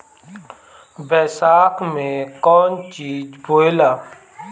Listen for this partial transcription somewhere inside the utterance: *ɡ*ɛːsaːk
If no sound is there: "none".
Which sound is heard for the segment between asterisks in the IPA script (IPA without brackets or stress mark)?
b